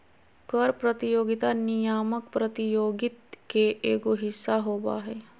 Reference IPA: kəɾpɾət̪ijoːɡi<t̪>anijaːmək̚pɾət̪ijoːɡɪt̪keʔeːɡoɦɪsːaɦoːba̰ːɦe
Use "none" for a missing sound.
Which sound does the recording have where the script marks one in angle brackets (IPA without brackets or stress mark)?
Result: t̪